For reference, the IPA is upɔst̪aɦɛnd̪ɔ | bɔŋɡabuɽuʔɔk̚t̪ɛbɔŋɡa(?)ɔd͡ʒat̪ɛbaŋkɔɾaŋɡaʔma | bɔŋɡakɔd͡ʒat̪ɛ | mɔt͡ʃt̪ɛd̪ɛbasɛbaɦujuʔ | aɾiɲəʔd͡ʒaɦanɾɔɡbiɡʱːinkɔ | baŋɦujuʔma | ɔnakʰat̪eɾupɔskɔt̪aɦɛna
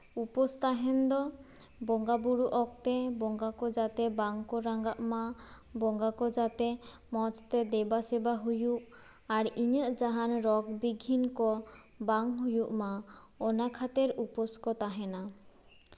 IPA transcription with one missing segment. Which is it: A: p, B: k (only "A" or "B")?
B